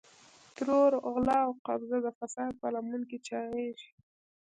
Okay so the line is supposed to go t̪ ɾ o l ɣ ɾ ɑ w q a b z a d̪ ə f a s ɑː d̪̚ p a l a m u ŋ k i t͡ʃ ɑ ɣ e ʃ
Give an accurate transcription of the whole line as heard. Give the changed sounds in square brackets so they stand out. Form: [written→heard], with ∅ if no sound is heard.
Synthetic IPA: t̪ ɾ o [l→ɾ] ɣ [ɾ→l] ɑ w q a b z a d̪ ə f a s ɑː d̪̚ p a l a m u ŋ k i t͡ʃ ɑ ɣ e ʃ